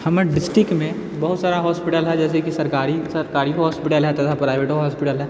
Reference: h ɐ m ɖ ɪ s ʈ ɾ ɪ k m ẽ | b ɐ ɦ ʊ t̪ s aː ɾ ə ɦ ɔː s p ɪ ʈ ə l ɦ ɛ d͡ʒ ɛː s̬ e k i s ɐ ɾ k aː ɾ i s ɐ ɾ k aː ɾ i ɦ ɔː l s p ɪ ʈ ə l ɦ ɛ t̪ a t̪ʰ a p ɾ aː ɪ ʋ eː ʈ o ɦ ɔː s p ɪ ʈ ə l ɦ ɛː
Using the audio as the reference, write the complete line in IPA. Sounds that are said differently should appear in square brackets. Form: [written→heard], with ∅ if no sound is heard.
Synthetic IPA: h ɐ m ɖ ɪ s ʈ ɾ ɪ k m ẽ | b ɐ ɦ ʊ t̪ s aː ɾ [ə→a] ɦ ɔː s p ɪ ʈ ə l ɦ ɛ d͡ʒ ɛː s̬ e k i s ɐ ɾ k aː ɾ i s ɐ ɾ k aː ɾ i ɦ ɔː [l→∅] s p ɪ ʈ ə l ɦ ɛ t̪ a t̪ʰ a p ɾ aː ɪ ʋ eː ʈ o ɦ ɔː s p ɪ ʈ ə l ɦ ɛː